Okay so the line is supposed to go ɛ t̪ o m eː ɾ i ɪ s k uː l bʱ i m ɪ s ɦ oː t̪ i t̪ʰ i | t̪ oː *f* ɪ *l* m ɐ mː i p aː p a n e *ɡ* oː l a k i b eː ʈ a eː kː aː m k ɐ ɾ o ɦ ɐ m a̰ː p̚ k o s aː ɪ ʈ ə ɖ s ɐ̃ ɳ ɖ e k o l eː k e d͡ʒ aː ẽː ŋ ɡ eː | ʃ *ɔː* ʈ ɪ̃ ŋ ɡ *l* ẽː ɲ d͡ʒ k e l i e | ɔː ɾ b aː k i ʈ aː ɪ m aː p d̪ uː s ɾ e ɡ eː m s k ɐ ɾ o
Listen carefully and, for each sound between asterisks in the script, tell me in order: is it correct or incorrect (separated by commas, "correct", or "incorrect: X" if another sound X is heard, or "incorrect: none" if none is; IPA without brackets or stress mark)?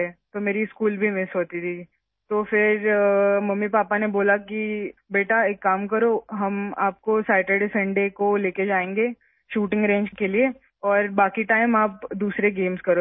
correct, incorrect: ɾ, incorrect: b, incorrect: uː, incorrect: ɾ